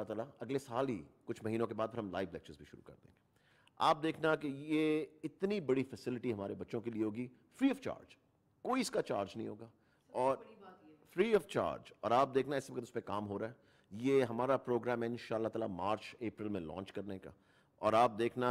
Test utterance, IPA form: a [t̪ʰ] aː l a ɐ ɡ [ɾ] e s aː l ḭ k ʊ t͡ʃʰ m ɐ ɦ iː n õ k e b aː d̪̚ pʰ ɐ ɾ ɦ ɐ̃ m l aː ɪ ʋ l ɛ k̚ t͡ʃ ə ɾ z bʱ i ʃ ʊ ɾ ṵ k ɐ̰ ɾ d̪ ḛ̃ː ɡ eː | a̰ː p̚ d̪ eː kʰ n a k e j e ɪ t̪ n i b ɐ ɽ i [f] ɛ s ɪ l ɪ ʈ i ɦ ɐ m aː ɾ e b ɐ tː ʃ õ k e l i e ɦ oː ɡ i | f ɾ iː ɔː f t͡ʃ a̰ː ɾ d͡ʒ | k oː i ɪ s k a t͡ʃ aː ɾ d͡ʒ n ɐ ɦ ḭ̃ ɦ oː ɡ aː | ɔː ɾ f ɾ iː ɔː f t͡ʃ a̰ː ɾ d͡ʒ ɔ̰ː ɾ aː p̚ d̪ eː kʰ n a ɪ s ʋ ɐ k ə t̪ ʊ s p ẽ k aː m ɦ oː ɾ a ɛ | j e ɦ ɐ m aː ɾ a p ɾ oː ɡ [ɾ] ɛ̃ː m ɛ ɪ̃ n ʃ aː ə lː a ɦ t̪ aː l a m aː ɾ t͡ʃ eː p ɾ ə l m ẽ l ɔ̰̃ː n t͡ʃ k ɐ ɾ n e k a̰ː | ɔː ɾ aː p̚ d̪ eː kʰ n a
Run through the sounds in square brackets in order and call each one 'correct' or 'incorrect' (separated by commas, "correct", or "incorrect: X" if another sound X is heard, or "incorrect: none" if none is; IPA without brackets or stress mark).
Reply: incorrect: t̪, incorrect: l, correct, correct